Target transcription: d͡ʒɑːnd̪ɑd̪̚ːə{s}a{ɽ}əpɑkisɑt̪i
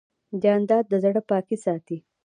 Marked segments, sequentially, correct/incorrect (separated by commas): incorrect, correct